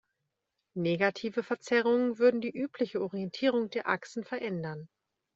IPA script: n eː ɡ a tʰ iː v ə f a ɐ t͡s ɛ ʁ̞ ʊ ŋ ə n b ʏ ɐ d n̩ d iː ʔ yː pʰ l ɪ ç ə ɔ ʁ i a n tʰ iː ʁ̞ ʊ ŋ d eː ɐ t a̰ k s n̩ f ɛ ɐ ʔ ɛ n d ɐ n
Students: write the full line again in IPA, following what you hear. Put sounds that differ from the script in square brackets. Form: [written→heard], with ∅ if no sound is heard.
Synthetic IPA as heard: n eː ɡ a tʰ iː v ə f [a→ɛ] ɐ t͡s ɛ ʁ̞ ʊ ŋ ə n [b→v] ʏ ɐ d n̩ d iː ʔ yː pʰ l ɪ ç ə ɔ ʁ i [a→ɛ] n tʰ iː ʁ̞ ʊ ŋ d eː ɐ [t→ʔ] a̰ k s n̩ f ɛ ɐ ʔ ɛ n d ɐ n